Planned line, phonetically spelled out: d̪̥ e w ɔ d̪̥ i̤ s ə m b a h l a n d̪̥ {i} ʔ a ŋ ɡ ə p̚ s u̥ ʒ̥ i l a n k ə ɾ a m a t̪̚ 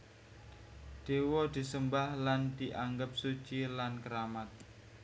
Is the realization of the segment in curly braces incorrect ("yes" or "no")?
no